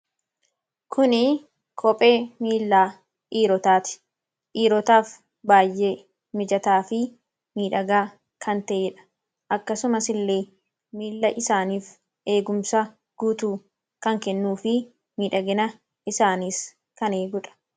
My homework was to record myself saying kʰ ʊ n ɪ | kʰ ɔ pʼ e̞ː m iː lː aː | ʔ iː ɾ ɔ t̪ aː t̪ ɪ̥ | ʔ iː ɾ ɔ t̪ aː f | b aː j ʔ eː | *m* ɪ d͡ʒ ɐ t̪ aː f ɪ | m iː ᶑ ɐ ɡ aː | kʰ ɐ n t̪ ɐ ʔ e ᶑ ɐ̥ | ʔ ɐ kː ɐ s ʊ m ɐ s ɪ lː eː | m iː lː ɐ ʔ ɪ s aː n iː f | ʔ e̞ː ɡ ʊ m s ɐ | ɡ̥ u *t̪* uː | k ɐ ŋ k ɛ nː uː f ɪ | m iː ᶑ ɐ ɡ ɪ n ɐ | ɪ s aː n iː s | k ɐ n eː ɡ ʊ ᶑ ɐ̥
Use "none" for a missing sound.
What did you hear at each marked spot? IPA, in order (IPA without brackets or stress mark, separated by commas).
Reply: m, t̪